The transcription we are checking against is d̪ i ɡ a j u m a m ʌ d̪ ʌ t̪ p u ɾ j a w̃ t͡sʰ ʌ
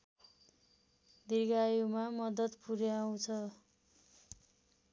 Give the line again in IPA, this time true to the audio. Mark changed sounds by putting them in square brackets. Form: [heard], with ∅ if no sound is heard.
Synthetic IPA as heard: d̪ i ɡ a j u m a m ʌ d̪ ʌ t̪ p u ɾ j a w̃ t͡sʰ ʌ